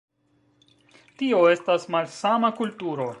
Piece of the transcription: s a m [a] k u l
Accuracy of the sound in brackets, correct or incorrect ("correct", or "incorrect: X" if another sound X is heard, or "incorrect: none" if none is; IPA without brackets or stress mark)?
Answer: correct